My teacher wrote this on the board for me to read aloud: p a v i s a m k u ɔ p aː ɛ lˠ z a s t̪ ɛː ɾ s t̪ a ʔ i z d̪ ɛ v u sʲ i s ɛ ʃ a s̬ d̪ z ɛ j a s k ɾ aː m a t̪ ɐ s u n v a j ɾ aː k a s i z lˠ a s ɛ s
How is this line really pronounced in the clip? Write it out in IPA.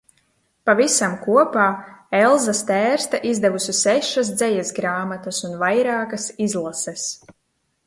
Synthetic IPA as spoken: p a v i s a m k u ɔ p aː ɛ lˠ z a s t̪ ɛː ɾ s t̪ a ʔ i z d̪ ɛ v u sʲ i s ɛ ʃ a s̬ d̪ z ɛ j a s ɡ ɾ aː m a t̪ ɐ s u n v a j ɾ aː k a s i z lˠ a s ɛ s

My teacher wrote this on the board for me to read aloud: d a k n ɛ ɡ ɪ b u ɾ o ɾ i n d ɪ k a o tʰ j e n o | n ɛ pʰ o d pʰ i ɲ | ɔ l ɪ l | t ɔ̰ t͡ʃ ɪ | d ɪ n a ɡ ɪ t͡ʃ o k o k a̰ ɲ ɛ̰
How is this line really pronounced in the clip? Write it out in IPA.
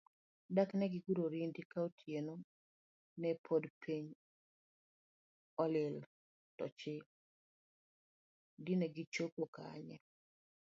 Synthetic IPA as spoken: d a k n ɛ ɡ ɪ ɡ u ɾ o ɾ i n d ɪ k a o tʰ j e n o | n ɛ pʰ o d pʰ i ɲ | ɔ l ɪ l | t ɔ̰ t͡ʃ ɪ | d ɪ n ɛ ɡ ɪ t͡ʃ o k o k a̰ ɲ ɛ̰

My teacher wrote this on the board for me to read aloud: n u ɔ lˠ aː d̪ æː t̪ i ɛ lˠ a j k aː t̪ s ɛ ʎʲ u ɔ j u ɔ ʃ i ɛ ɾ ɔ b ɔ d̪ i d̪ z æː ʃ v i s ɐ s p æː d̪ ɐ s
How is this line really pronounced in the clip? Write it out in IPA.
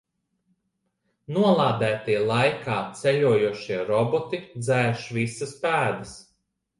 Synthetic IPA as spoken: n u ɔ lˠ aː d̪ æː t̪ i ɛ lˠ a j k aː t̪ s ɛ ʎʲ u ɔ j u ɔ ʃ i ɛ ɾ ɔ b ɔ t̪ i d̪ z æː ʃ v i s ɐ s p æː d̪ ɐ s

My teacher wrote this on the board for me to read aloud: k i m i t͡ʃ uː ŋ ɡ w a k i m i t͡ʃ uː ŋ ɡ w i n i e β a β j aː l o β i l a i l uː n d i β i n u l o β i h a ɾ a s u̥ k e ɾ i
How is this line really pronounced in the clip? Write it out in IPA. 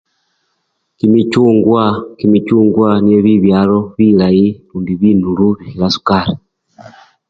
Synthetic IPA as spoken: k i m i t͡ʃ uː ŋ ɡ w a k i m i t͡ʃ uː ŋ ɡ w a n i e β i β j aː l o β i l a i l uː n d i β i n u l u β i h i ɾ a s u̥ k a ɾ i

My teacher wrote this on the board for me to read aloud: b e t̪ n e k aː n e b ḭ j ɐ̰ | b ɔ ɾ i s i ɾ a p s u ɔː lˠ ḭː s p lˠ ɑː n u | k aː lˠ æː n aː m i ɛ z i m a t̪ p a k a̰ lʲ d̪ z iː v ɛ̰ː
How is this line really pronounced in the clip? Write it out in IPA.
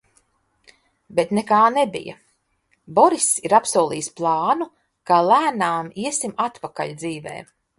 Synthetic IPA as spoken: b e t̪ n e k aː n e b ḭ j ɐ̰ | b ɔ ɾ i s i ɾ a p s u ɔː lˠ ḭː s p lˠ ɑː n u | k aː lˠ æː n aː m i ɛ s i m a t̪ p a k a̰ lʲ d̪ z iː v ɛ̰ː

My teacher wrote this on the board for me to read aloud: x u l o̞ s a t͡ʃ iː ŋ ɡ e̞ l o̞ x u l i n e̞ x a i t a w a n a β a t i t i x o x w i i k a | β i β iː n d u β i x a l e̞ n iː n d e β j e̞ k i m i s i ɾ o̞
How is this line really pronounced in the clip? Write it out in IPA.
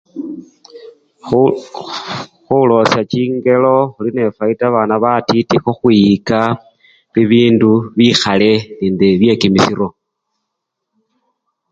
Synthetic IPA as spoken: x u l o̞ s a t͡ʃ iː ŋ ɡ e̞ l o̞ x u l i n e̞ f a i t a β a n a β a t i t i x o x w i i k a | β i β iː n d u β i x a l e̞ n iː n d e β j e̞ k i m i s i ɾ o̞

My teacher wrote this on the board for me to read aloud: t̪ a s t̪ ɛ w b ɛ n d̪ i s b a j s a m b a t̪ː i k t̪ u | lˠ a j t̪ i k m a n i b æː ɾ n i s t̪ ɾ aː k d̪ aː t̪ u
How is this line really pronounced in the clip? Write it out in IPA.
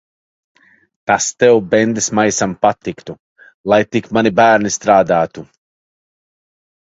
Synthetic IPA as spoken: t̪ a s t̪ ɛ w b ɛ n d̪ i s m a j s a m p a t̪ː i k t̪ u | lˠ a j t̪ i k m a n i b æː ɾ n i s t̪ ɾ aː d̪ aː t̪ u

